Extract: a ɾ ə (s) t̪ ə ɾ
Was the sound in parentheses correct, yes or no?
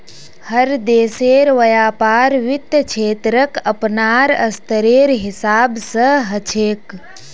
yes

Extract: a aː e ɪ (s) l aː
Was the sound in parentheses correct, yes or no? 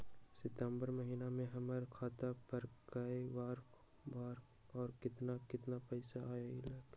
no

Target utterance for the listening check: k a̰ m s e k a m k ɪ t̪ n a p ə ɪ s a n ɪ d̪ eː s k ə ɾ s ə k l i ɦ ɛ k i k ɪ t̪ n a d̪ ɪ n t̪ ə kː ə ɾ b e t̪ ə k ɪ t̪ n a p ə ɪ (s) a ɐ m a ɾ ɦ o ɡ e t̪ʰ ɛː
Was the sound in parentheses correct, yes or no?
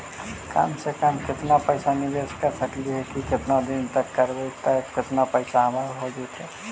yes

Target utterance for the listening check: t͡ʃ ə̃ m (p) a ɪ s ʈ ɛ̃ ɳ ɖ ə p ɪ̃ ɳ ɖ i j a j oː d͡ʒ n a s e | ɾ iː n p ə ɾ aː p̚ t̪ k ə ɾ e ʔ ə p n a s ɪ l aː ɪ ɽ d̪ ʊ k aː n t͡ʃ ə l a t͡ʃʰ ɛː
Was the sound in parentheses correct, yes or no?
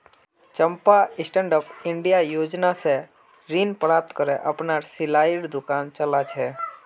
yes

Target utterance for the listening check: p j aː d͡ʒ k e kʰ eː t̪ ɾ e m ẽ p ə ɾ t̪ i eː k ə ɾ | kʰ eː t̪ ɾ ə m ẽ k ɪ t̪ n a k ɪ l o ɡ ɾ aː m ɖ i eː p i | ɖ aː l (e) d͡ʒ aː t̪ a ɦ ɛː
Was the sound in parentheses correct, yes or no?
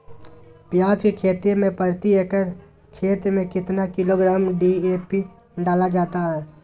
no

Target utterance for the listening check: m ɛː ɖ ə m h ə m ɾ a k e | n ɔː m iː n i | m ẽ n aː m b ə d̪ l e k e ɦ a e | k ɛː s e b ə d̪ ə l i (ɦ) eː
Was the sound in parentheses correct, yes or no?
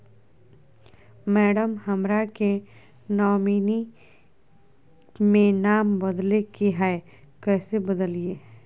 no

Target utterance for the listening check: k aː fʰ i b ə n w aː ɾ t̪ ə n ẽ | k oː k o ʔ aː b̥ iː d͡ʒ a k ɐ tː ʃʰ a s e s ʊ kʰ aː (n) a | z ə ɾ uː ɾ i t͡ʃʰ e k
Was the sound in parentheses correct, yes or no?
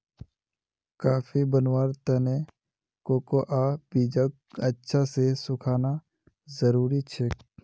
yes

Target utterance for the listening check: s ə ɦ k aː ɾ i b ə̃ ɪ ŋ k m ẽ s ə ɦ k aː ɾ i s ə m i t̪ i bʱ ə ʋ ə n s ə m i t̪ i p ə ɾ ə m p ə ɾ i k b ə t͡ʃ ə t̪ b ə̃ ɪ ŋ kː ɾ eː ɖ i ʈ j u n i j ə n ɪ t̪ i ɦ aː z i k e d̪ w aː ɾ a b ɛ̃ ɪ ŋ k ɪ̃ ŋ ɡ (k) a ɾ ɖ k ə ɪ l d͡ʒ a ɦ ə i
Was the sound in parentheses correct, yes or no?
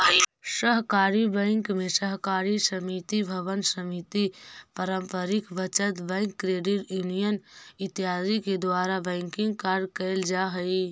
yes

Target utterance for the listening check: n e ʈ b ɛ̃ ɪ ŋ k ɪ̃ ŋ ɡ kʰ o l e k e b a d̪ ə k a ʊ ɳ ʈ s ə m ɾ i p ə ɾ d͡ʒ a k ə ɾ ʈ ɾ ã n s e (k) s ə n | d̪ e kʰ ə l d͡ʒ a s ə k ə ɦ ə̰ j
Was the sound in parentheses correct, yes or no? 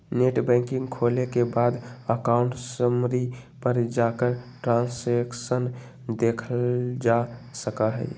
yes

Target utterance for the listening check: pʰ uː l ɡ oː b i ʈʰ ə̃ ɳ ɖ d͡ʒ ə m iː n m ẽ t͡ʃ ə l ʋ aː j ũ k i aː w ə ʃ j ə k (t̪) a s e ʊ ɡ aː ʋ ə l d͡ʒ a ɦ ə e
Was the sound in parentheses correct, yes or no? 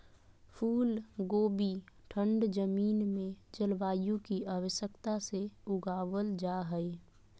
yes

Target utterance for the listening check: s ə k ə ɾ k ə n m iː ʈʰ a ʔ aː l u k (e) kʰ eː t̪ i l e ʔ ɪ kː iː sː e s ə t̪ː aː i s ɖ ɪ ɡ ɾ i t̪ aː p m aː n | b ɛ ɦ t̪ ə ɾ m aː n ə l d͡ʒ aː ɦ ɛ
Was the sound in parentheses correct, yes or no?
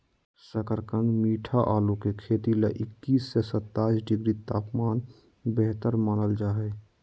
yes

